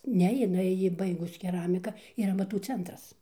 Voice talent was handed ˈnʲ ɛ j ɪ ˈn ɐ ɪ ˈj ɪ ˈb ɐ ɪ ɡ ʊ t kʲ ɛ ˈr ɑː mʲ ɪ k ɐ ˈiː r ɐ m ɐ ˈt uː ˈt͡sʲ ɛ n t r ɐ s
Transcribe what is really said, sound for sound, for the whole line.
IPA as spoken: ˈnʲ ɛ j ɪ ˈn ɐ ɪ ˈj ɪ ˈb ɐ ɪ ɡ ʊ s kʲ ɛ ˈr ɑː mʲ ɪ k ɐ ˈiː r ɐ m ɐ ˈt uː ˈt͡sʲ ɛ n t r ɐ s